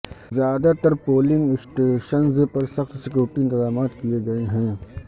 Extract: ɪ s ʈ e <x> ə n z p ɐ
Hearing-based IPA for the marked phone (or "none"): ʃ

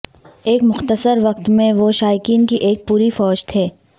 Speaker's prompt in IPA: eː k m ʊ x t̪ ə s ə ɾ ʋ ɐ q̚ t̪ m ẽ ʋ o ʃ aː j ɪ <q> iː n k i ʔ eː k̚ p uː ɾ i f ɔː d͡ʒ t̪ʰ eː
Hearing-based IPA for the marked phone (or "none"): k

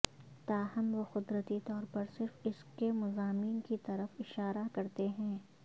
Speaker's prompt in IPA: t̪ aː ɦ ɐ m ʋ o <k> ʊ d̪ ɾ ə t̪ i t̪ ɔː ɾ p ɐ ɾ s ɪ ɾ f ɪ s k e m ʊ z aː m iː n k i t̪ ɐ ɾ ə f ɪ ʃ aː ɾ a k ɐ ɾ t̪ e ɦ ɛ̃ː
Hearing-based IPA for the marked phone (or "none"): x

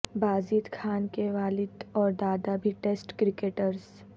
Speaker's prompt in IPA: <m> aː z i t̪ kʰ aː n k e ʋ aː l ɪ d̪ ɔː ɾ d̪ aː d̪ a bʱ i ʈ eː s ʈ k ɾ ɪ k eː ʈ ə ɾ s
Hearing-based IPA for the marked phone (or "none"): b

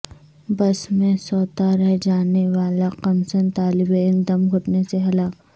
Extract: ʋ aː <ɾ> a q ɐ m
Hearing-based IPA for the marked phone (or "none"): l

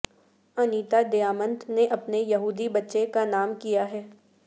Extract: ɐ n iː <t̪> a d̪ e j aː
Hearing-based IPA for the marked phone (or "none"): t̪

